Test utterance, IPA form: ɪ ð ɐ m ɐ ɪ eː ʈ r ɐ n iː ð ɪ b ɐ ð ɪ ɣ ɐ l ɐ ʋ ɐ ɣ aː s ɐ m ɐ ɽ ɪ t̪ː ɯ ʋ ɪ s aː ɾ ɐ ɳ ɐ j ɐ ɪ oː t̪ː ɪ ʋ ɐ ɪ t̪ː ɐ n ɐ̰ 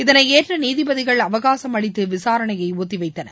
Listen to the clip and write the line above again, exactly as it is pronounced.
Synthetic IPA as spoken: ɪ ð ɐ n ɐ ɪ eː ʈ r ɐ n iː ð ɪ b ɐ ð ɪ ɣ ɐ ɭ ɐ ʋ ɐ ɣ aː s ɐ m ɐ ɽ ɪ t̪ː ɯ ʋ ɪ s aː ɾ ɐ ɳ ɐ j ɐ ɪ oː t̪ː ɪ ʋ ɐ ɪ t̪ː ɐ n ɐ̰